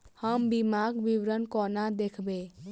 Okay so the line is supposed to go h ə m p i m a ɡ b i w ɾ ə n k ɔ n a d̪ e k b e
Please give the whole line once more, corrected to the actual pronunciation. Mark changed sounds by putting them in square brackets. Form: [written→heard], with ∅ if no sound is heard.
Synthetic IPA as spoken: h ə m [p→b] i m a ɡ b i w ɾ ə n k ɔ n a d̪ e [k→kʰ] b e